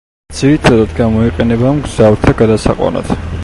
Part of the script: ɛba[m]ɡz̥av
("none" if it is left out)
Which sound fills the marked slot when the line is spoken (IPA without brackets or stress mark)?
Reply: m